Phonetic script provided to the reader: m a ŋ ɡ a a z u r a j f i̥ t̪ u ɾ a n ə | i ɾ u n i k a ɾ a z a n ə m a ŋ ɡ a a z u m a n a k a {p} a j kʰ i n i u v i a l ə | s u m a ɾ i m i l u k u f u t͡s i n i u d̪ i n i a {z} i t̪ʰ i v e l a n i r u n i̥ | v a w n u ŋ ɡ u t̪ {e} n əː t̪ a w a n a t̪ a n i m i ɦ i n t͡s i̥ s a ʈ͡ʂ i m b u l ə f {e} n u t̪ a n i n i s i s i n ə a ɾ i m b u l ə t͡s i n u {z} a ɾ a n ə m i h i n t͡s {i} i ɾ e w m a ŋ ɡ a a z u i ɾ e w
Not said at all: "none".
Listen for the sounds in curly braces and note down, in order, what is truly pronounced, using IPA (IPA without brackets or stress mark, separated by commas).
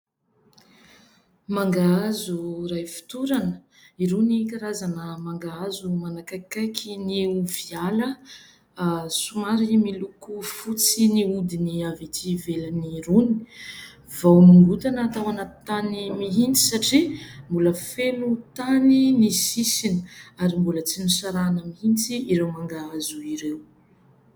k, v, a, e, s, i